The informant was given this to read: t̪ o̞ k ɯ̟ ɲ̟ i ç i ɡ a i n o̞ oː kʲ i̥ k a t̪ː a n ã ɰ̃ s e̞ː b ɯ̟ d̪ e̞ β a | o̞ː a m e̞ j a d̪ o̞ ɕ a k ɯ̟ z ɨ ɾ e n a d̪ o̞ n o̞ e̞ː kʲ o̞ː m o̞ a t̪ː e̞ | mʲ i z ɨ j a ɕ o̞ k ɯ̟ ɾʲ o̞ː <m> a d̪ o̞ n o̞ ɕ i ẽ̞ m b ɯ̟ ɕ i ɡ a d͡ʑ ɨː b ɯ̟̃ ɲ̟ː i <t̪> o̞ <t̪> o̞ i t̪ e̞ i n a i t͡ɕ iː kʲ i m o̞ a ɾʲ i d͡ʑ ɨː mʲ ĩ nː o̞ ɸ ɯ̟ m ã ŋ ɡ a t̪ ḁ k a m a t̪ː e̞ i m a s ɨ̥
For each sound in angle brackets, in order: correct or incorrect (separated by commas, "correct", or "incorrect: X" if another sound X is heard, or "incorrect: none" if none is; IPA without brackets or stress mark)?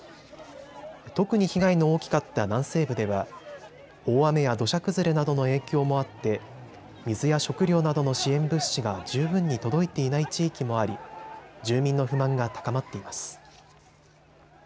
incorrect: n, correct, incorrect: d̪